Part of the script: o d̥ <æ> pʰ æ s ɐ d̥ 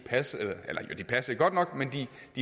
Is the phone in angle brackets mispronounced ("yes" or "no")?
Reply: yes